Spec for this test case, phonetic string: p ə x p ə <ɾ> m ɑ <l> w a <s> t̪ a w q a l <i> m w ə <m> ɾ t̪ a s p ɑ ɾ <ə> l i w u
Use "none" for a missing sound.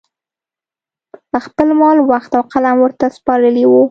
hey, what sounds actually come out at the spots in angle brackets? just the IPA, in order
l, l, x, a, none, ə

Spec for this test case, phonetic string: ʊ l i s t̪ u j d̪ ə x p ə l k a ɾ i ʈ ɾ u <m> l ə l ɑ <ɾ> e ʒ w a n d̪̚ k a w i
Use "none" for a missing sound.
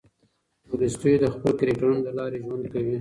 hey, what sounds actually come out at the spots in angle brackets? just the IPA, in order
n, ɾ

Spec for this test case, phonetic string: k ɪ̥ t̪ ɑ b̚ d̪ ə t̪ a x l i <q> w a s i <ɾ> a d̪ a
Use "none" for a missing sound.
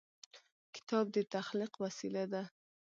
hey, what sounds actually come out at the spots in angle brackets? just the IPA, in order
q, l

